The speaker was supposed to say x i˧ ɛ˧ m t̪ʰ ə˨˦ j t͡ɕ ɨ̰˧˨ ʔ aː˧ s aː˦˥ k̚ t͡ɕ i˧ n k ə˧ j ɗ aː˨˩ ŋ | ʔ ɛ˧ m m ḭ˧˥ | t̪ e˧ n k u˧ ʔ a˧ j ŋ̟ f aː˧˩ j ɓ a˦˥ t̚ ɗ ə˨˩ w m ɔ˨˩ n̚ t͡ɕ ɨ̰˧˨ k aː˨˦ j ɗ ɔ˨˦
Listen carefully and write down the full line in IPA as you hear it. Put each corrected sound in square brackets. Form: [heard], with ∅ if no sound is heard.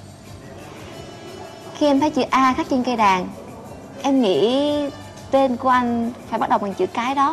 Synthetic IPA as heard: x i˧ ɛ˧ m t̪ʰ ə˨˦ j t͡ɕ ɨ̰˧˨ ʔ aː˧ [x] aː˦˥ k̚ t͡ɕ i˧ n k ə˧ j ɗ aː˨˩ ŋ | ʔ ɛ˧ m [ŋ] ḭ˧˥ | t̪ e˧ n k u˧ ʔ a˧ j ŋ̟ f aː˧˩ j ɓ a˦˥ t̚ ɗ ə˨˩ w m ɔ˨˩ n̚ t͡ɕ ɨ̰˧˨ k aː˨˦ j ɗ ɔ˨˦